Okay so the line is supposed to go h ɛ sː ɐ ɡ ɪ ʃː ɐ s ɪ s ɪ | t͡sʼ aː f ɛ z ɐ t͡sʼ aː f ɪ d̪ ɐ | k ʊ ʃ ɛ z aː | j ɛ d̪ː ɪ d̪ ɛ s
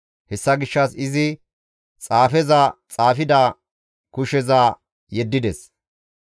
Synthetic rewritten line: h ɛ sː ɐ ɡ ɪ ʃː ɐ s ɪ z ɪ | t͡sʼ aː f ɛ z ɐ t͡sʼ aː f ɪ d̪ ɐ | k ʊ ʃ ɛ z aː | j ɛ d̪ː ɪ d̪ ɛ s